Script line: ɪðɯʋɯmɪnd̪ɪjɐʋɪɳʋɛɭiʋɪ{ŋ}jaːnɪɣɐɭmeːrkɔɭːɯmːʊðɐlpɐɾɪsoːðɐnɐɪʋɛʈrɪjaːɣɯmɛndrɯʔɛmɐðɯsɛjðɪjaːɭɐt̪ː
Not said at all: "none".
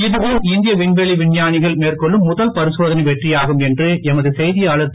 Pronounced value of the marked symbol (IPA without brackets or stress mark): ɳ